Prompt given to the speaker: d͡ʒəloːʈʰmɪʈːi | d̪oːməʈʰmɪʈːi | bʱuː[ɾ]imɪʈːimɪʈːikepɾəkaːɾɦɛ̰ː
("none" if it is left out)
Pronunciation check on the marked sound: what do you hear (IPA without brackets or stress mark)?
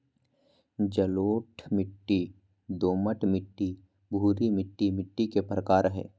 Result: ɾ